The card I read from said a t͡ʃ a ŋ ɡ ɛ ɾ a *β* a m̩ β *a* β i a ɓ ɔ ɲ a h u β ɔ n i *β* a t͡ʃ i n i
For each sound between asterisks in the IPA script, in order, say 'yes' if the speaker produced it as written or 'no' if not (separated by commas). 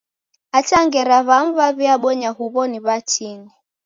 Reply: yes, yes, yes